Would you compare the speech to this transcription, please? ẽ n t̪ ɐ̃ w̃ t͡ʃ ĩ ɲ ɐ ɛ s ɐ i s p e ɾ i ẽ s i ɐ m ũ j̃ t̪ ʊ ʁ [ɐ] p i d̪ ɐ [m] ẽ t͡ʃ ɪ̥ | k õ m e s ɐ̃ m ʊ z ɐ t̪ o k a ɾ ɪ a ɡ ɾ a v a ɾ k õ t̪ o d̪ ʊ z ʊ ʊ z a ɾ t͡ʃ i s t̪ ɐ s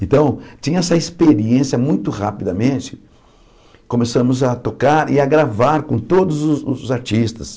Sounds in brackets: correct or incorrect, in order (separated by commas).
incorrect, correct